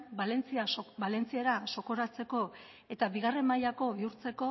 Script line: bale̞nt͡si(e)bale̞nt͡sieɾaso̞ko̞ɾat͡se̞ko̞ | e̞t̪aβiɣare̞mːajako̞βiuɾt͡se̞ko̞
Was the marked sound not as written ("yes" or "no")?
yes